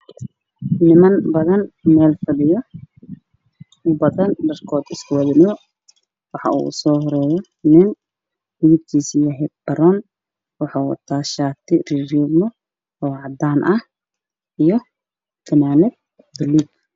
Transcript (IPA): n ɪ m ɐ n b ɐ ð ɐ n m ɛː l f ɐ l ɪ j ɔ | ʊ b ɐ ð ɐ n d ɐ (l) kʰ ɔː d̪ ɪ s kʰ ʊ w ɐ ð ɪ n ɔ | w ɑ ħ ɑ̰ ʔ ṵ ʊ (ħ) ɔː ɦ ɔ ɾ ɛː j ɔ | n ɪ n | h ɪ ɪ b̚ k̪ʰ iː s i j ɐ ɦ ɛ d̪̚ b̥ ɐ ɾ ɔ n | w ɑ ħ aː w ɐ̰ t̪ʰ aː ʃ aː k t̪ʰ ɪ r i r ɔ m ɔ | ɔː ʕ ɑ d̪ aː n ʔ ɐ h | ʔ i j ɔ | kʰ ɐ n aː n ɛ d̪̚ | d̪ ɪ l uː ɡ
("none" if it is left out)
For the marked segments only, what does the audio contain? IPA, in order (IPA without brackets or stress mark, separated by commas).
r, s